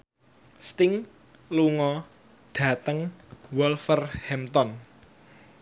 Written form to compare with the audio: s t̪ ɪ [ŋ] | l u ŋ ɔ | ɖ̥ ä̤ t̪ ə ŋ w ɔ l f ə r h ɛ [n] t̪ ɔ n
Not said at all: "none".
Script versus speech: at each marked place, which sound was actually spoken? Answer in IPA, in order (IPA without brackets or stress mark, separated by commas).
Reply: ŋ, m